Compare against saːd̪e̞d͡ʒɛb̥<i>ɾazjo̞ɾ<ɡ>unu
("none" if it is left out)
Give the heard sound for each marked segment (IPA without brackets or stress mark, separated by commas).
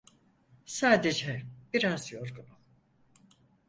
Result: i, ɡ